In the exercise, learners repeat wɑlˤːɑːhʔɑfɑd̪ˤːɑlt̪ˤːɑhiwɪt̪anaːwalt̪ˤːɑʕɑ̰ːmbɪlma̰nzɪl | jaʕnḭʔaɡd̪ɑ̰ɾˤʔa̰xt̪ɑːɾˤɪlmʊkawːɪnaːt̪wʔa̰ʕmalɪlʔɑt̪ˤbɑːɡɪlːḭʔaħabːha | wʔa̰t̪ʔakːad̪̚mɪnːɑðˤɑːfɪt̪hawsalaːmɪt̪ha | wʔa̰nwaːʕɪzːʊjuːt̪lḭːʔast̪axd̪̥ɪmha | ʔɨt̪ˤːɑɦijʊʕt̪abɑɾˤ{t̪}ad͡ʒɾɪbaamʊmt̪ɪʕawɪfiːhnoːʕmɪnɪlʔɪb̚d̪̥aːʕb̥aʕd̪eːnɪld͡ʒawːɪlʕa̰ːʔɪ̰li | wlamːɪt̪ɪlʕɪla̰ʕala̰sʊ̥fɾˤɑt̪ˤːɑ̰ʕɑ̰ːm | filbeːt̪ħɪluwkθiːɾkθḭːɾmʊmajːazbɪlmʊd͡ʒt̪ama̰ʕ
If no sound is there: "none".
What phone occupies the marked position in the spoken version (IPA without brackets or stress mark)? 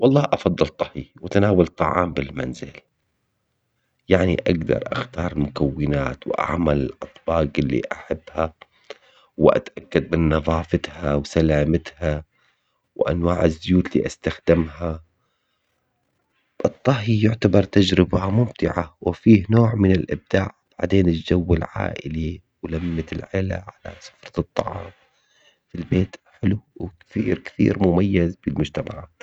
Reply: t̪